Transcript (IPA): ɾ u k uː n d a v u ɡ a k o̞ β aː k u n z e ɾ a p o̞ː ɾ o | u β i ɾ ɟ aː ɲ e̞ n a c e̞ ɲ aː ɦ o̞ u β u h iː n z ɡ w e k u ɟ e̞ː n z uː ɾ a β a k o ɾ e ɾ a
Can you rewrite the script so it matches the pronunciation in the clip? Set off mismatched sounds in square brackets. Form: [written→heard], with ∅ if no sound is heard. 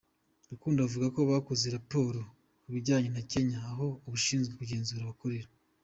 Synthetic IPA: ɾ u k uː n d a v u ɡ a k o̞ β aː k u [n→∅] z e ɾ a p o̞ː ɾ o | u β i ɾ ɟ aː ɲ e̞ n a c e̞ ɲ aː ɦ o̞ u β u [h→ʃ] iː n z ɡ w e k u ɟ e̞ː n z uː ɾ a β a k o ɾ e ɾ a